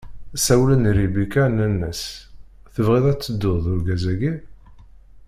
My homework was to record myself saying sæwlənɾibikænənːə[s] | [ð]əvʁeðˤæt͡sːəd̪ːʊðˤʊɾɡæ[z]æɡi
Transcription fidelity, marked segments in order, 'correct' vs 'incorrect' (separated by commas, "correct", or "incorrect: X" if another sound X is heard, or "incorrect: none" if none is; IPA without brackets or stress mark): correct, incorrect: θ, correct